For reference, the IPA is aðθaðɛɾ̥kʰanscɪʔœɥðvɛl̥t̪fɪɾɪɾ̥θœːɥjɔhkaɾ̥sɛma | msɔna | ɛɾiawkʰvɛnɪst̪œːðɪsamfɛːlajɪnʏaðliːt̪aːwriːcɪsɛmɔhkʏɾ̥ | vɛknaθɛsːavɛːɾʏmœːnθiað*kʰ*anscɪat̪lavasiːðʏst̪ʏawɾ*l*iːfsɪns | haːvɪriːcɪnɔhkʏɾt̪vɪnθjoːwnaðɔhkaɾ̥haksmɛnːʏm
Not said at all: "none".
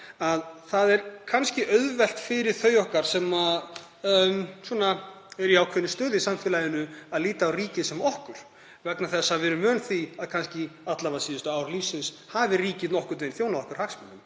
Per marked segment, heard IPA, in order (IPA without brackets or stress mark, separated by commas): kʰ, l